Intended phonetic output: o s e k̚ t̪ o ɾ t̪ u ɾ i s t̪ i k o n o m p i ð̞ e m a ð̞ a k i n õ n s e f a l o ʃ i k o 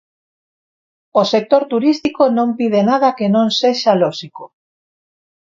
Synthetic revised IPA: o s e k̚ t̪ o ɾ t̪ u ɾ i s t̪ i k o n õ m p i ð̞ e n a ð̞ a k e n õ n s e ʃ a l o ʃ i k o